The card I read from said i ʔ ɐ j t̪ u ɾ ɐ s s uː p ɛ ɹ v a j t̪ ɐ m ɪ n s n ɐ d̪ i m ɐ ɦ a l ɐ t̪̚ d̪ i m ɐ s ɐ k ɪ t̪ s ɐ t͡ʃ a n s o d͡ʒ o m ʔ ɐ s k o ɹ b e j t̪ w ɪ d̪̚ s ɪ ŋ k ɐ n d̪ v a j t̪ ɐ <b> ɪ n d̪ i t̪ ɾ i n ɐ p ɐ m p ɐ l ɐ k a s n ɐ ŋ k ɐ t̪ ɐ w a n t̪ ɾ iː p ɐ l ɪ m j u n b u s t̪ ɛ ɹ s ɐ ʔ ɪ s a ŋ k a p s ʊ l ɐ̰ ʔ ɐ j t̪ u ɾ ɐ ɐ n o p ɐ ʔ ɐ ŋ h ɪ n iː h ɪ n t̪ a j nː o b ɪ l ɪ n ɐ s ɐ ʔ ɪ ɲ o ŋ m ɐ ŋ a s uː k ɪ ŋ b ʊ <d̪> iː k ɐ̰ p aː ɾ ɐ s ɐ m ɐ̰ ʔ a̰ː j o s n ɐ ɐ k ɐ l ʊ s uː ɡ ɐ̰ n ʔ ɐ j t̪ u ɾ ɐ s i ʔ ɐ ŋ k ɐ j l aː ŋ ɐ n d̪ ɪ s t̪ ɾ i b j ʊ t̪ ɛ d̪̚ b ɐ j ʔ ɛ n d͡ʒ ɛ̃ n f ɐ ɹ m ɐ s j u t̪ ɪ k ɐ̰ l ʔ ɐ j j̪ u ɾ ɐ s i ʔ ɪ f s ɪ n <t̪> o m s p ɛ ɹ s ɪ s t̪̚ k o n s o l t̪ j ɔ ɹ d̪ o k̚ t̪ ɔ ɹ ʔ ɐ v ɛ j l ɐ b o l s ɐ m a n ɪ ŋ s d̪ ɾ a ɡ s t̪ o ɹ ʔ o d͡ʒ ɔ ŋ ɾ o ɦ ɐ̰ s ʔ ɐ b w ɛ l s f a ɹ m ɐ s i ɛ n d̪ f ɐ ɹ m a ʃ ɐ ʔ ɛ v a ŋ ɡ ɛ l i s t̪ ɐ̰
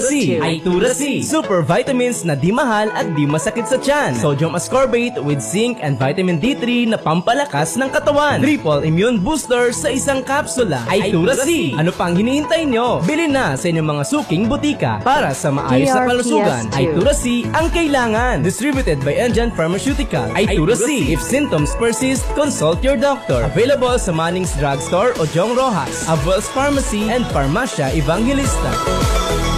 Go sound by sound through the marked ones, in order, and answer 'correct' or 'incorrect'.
incorrect, incorrect, correct

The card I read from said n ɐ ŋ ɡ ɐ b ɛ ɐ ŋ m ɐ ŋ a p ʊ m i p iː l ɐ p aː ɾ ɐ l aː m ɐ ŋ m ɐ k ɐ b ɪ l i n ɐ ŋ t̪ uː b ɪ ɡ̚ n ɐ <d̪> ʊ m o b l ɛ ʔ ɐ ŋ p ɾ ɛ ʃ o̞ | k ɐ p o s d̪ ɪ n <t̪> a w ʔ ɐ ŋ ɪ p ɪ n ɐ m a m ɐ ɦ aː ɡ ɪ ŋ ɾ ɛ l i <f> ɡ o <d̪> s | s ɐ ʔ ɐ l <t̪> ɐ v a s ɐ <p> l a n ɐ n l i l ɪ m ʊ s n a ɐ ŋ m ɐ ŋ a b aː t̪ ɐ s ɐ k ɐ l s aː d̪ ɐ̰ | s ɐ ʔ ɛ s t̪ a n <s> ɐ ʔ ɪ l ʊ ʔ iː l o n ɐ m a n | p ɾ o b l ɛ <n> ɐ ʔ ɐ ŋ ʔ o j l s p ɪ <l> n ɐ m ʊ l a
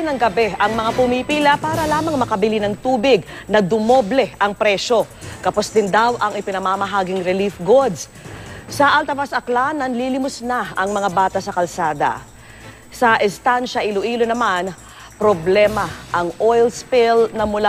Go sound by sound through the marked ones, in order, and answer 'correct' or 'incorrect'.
correct, incorrect, correct, correct, correct, incorrect, incorrect, incorrect, correct

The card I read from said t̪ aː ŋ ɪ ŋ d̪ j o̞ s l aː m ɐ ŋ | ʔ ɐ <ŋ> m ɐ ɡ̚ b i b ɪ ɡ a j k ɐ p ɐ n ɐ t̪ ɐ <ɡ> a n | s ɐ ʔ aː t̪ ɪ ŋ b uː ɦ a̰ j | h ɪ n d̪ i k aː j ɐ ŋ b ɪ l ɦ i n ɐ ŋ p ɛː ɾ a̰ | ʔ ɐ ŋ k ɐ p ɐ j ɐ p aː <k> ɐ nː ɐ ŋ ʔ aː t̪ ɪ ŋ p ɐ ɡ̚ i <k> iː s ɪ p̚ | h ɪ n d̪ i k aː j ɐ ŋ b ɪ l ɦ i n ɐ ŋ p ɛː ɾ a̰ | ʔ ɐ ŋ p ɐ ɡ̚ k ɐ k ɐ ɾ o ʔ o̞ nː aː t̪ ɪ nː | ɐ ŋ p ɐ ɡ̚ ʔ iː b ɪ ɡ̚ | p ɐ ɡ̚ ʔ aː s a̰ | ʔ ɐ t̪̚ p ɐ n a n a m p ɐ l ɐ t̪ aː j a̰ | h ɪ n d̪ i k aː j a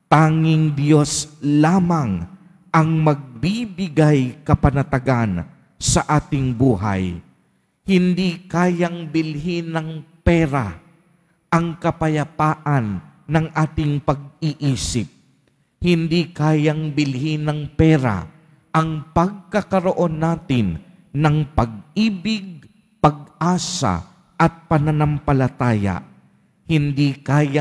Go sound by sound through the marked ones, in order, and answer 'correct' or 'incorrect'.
correct, correct, incorrect, incorrect

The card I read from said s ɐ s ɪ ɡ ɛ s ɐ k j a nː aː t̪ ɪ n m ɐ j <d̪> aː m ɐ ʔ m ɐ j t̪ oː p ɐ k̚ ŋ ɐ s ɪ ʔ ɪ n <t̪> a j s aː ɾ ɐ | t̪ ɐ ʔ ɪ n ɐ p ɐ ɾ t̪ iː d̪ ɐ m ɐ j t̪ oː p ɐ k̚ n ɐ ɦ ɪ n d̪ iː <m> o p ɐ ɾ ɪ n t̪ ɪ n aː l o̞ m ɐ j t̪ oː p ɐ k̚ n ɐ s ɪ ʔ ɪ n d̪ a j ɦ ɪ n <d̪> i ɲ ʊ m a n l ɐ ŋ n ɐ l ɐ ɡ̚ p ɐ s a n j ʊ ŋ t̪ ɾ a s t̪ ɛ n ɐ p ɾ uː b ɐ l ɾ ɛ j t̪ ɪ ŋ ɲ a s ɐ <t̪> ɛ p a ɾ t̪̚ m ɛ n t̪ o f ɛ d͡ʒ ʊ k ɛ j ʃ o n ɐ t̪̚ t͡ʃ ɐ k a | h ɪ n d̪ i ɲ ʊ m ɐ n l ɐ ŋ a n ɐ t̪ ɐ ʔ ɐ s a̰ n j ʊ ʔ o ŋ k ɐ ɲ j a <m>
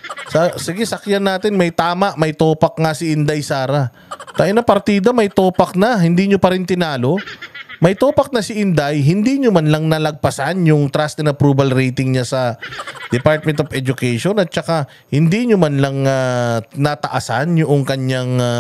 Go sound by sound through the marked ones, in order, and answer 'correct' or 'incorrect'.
incorrect, incorrect, incorrect, correct, incorrect, incorrect

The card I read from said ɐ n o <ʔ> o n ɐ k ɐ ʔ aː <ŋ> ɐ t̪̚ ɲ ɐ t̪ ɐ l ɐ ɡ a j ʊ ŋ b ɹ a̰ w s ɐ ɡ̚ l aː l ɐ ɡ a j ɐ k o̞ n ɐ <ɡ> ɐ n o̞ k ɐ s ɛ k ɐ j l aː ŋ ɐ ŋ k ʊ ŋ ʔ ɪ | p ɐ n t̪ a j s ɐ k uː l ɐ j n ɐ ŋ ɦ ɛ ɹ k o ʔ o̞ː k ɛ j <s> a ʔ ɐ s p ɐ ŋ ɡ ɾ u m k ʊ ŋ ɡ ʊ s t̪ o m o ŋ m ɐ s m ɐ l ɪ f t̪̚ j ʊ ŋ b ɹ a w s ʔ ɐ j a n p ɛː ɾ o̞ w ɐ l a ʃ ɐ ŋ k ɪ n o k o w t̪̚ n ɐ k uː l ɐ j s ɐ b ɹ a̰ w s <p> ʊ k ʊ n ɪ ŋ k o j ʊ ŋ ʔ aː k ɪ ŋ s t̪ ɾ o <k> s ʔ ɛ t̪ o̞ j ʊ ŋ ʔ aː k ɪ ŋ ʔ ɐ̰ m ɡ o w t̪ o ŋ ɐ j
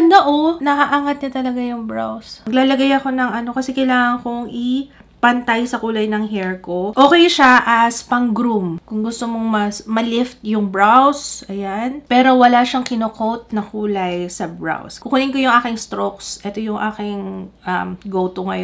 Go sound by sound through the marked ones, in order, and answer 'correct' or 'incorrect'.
correct, correct, incorrect, incorrect, incorrect, correct

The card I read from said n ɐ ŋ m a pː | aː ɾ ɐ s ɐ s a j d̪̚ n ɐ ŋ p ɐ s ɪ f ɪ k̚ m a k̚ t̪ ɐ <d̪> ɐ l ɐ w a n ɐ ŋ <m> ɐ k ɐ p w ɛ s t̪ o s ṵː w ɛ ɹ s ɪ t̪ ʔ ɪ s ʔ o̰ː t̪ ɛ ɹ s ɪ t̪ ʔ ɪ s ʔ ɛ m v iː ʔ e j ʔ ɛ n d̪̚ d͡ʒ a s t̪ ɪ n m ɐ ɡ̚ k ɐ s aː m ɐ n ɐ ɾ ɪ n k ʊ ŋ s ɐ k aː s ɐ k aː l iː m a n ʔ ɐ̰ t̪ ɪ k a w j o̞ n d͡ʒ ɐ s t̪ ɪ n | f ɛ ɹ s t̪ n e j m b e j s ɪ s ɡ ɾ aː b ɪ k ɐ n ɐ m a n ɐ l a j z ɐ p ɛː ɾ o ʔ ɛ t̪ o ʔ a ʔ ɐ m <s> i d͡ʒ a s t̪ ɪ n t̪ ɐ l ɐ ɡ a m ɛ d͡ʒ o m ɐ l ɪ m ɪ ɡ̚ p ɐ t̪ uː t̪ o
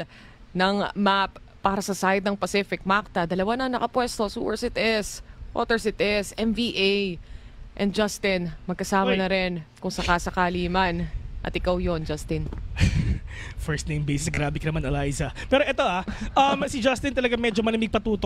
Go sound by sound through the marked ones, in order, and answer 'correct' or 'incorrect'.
correct, incorrect, correct

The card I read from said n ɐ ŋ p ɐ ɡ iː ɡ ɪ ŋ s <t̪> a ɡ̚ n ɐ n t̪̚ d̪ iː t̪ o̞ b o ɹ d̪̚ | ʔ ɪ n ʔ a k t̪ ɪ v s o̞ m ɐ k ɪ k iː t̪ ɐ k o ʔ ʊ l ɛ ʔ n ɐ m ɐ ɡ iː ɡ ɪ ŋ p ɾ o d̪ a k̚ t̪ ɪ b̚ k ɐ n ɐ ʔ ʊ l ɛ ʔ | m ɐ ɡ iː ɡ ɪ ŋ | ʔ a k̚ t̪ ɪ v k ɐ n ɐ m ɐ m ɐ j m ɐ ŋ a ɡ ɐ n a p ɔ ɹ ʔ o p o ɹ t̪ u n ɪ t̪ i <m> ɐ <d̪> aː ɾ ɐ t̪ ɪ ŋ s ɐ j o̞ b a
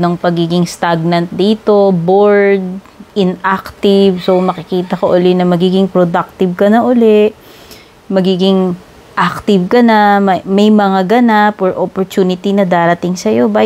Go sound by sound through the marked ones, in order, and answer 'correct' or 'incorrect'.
correct, incorrect, correct

